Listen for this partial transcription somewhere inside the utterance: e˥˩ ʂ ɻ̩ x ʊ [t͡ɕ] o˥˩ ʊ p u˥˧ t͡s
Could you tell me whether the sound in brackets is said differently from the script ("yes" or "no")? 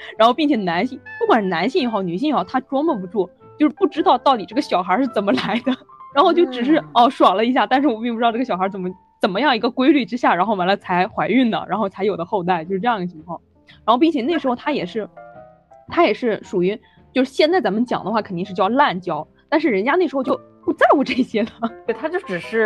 no